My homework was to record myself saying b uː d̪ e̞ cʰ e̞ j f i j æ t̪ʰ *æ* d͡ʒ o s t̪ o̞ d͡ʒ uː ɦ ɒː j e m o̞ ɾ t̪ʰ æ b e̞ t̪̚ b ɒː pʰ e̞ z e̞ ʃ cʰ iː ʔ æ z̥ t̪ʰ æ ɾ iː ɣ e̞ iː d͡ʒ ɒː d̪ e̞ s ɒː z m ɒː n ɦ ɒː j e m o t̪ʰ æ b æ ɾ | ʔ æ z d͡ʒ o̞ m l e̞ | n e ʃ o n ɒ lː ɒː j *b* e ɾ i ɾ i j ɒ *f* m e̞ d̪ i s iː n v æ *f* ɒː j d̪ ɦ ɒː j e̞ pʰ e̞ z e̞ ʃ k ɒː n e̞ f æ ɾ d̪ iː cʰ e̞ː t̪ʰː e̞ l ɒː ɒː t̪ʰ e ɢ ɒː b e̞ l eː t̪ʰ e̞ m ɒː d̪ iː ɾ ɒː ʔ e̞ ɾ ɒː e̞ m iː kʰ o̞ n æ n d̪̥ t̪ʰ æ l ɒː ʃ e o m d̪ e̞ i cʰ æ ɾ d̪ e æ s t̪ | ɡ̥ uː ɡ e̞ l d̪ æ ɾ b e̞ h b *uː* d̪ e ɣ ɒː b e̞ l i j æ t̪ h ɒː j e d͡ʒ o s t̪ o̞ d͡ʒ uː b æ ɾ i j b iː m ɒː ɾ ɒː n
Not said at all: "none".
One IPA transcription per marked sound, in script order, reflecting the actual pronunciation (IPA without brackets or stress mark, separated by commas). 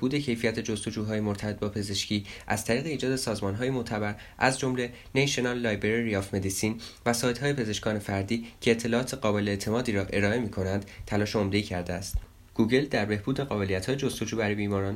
e, b, f, s, uː